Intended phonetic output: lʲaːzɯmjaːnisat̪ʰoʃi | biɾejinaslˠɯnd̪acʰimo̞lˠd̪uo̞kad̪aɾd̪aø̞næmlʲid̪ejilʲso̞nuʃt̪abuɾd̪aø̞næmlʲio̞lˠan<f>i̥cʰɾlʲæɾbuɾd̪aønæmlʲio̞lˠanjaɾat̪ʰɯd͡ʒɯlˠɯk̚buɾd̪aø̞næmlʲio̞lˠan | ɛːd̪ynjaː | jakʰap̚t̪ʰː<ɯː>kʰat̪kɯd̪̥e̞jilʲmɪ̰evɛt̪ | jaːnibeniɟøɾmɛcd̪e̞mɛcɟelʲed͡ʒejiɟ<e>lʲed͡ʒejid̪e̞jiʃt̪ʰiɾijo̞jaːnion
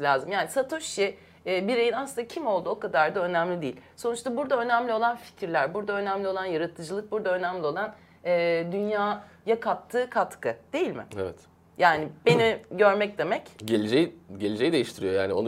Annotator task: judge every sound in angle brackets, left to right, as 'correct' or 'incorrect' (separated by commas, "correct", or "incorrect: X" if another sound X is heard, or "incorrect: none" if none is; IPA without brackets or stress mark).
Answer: correct, correct, correct